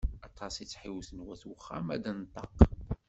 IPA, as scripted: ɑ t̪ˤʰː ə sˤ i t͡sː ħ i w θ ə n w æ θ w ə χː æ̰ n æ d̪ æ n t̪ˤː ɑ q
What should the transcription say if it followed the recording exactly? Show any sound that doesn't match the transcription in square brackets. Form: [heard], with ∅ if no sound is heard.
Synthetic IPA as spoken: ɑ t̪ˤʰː [ɑ] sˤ i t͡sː ħ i w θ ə n w æ θ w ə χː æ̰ [m] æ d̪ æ n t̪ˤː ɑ q